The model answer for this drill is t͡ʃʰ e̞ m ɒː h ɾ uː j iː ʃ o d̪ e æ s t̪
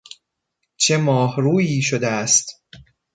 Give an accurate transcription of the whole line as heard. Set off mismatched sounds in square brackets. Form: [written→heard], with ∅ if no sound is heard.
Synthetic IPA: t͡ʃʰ e̞ m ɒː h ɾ uː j iː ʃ o d̪ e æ s t̪